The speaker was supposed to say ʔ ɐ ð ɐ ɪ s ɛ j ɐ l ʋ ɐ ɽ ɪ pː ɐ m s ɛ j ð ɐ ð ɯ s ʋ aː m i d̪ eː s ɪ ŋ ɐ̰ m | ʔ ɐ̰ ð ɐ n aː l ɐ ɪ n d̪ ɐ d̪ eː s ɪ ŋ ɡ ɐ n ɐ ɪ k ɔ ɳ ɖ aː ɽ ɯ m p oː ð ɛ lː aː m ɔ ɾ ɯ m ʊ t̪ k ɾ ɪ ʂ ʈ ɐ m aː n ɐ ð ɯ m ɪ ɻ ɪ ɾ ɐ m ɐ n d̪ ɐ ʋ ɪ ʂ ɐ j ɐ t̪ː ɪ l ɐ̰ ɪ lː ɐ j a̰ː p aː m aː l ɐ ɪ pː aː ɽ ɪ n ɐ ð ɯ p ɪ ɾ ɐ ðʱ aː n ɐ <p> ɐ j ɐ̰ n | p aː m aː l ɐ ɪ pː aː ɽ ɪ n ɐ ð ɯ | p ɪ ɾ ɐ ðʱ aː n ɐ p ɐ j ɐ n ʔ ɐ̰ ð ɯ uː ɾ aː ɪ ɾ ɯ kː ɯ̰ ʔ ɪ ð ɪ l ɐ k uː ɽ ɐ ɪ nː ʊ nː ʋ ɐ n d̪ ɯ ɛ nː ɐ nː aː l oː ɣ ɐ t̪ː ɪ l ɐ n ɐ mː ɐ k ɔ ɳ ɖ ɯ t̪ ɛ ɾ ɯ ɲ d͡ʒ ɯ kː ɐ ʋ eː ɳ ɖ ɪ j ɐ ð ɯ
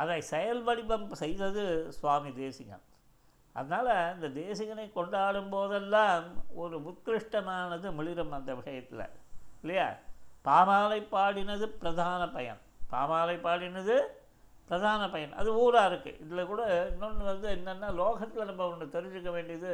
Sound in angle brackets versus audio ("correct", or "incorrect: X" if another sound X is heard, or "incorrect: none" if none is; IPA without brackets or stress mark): correct